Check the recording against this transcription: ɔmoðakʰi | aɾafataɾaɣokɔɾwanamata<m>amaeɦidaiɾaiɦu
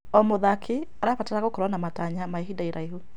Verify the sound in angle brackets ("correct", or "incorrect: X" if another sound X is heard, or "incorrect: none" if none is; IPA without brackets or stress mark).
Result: incorrect: ɲ